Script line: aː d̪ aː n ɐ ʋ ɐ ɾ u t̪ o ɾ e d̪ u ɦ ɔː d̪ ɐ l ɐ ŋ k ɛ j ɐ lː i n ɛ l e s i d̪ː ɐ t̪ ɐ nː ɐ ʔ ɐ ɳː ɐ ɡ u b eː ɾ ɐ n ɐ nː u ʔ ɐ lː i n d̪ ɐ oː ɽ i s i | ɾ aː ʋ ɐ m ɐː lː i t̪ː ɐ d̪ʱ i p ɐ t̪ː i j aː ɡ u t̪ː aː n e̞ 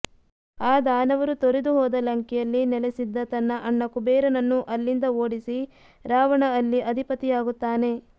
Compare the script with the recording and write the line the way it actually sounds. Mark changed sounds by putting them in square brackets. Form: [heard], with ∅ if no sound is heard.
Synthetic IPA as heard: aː d̪ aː n ɐ ʋ ɐ ɾ u t̪ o ɾ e d̪ u ɦ ɔː d̪ ɐ l ɐ ŋ k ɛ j ɐ lː i n ɛ l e s i d̪ː ɐ t̪ ɐ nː ɐ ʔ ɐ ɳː ɐ [k] u b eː ɾ ɐ n ɐ nː u ʔ ɐ lː i n d̪ ɐ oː ɽ i s i | ɾ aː ʋ ɐ [ɳ] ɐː lː i [∅] ɐ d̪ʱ i p ɐ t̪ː i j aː ɡ u t̪ː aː n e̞